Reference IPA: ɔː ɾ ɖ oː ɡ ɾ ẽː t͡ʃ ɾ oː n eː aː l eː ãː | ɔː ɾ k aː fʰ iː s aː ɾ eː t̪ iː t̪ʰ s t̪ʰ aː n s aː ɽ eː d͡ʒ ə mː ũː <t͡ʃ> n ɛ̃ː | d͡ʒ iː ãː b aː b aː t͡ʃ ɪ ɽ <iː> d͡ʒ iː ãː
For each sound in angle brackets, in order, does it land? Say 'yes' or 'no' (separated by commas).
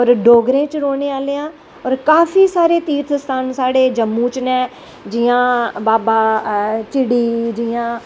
yes, yes